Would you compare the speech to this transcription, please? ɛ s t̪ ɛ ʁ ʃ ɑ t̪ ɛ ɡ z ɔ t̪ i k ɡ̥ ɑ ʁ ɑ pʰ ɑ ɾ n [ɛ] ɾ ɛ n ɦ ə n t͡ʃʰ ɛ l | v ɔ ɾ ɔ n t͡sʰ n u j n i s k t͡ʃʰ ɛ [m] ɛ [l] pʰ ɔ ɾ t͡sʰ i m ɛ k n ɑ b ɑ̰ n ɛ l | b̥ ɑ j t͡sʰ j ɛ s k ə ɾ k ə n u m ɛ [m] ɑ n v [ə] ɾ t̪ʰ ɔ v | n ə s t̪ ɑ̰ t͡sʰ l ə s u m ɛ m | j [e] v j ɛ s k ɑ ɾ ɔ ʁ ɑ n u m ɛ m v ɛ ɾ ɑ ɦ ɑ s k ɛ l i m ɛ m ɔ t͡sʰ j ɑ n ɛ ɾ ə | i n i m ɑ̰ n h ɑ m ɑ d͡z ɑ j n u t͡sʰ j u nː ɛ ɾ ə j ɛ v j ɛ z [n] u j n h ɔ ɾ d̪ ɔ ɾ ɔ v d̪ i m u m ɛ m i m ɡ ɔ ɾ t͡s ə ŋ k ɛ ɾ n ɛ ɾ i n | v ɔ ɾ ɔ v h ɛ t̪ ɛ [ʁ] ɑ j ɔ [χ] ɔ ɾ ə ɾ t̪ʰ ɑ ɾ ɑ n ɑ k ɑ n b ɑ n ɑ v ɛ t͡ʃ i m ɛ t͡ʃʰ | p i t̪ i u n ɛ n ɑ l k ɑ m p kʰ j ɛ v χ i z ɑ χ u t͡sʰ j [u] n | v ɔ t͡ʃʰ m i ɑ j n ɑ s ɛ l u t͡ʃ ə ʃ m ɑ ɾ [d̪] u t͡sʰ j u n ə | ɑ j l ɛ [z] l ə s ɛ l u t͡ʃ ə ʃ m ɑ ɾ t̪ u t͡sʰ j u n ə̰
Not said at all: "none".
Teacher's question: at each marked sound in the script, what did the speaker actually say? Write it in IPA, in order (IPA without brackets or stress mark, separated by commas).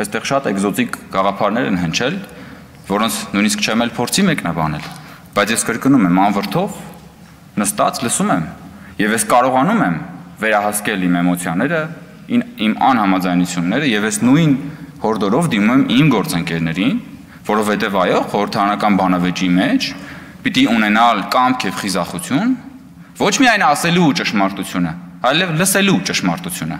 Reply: ɛ, m, l, m, ə, ɛ, n, v, χ, u, t̪, v